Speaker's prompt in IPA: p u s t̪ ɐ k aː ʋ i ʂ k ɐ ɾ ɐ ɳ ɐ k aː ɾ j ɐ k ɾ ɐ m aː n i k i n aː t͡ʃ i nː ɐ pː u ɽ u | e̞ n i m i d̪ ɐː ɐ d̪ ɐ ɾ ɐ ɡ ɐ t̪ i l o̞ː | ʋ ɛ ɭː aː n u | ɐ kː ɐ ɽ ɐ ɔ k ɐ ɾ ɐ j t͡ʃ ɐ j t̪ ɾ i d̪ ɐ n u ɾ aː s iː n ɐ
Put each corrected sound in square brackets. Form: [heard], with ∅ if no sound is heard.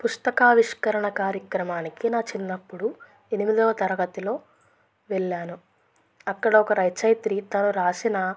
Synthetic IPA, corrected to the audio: p u s t̪ ɐ k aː ʋ i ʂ k ɐ ɾ ɐ ɳ ɐ k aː ɾ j ɐ k ɾ ɐ m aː n i k i n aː t͡ʃ i nː ɐ pː u ɽ u | e̞ n i m i d̪ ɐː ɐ [t̪] ɐ ɾ ɐ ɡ ɐ t̪ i l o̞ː | ʋ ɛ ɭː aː n u | ɐ kː ɐ ɽ ɐ ɔ k ɐ ɾ ɐ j t͡ʃ ɐ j t̪ ɾ i [t̪] ɐ n u ɾ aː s [i] n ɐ